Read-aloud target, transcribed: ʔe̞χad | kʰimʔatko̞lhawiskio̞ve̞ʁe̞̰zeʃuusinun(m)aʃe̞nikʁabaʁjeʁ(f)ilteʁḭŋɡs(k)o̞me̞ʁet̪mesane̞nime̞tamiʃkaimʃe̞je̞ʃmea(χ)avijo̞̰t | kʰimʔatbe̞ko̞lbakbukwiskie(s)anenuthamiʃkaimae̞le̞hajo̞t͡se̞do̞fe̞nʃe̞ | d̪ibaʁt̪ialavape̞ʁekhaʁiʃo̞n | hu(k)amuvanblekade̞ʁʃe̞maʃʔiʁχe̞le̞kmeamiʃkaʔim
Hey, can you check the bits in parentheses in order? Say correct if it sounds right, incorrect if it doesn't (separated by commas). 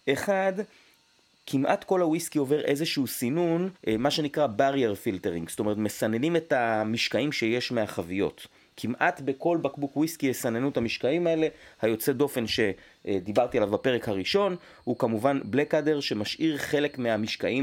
correct, correct, incorrect, correct, correct, correct